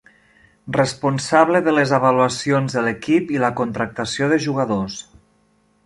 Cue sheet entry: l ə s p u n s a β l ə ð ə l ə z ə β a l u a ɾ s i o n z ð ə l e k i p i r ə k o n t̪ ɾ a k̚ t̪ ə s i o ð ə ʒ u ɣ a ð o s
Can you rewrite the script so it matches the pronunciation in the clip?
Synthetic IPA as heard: r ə s p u n s a β l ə ð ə l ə z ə β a l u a s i o n z ð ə l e k i p i l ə k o n t̪ ɾ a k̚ t̪ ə s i o ð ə ʒ u ɣ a ð o s